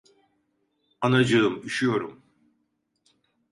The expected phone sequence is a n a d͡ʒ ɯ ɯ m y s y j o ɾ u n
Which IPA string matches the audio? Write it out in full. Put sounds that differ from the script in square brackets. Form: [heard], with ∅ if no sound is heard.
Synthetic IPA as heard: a n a d͡ʒ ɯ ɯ m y [ʃ] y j o ɾ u [m]